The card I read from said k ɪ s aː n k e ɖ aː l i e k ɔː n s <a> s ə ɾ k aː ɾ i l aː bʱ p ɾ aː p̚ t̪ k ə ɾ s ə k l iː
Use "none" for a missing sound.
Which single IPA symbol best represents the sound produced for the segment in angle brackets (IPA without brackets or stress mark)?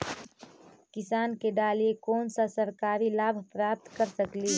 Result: a